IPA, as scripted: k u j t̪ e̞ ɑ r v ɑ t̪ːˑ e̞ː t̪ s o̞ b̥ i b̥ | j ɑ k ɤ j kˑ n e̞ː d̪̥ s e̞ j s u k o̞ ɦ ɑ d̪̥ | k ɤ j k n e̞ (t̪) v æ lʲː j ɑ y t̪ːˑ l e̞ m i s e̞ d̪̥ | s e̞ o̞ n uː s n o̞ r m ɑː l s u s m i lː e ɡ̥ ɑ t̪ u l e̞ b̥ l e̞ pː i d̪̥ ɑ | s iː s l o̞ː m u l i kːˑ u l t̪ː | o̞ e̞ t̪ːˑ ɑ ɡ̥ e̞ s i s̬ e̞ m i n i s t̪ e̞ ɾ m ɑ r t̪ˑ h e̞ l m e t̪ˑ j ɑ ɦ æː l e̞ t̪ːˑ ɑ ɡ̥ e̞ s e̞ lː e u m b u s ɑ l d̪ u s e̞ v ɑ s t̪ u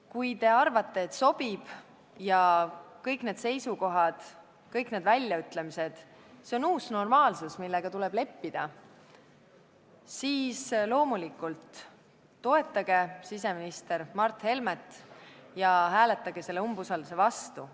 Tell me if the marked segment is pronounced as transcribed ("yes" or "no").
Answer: no